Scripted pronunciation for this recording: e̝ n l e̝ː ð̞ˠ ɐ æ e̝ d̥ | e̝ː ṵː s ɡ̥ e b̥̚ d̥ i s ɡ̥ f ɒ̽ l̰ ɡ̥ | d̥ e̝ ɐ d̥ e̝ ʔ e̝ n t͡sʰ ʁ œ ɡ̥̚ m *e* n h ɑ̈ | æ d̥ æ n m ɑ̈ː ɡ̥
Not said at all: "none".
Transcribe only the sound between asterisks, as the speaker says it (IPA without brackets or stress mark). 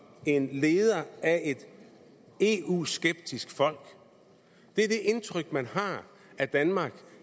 æ